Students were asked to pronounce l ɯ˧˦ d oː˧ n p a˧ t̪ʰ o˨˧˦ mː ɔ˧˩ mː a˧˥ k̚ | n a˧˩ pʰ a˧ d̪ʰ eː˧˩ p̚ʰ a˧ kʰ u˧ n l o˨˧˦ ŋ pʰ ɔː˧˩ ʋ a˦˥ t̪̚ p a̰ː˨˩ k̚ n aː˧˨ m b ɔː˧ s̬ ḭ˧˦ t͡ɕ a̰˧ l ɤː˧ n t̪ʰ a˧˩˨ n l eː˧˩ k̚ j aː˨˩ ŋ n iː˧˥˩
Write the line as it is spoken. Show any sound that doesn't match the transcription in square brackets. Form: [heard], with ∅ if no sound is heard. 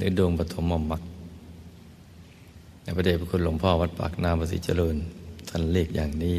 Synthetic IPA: l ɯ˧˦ d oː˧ [ŋ] p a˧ t̪ʰ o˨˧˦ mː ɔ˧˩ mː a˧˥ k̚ | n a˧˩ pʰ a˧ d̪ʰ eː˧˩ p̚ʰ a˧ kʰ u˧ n l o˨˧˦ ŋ pʰ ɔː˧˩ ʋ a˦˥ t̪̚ p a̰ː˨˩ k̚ n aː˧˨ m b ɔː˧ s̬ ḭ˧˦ t͡ɕ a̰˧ l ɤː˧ n t̪ʰ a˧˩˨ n l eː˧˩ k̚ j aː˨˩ ŋ n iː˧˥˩